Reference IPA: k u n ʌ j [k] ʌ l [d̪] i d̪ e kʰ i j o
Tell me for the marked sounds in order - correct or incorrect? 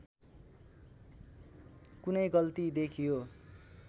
incorrect, incorrect

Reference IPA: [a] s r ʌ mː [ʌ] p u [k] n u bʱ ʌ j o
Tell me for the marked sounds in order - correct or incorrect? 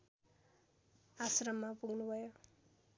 correct, incorrect, incorrect

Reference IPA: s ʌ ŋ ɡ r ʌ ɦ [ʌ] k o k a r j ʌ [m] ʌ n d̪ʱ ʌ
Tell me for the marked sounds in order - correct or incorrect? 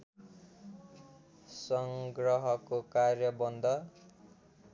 correct, incorrect

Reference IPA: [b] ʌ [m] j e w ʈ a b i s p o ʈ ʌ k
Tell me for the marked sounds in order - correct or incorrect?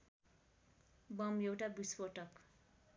correct, correct

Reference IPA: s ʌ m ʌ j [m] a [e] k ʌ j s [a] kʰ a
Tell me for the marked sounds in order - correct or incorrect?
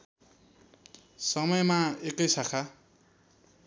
correct, correct, correct

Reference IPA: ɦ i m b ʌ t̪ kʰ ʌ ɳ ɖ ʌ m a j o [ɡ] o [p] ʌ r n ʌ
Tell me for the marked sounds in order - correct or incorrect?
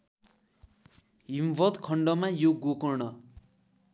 correct, incorrect

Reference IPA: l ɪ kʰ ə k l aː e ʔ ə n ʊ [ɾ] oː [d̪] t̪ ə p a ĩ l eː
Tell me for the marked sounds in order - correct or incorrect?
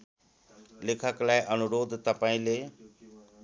correct, correct

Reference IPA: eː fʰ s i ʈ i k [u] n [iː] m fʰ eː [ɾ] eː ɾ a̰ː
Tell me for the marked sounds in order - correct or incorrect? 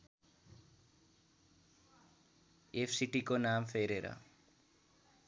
incorrect, incorrect, correct

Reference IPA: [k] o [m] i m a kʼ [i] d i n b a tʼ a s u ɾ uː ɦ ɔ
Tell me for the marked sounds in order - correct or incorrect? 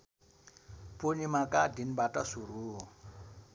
incorrect, incorrect, incorrect

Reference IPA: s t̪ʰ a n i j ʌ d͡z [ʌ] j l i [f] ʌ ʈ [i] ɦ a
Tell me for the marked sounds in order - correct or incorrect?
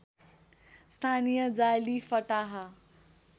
incorrect, correct, incorrect

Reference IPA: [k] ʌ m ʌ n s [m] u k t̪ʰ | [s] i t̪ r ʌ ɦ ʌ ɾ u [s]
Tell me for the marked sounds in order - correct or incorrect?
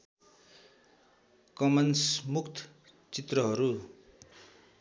correct, correct, incorrect, incorrect

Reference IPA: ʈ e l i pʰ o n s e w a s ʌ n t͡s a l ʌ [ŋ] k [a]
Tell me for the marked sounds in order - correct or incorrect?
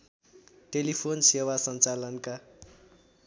incorrect, correct

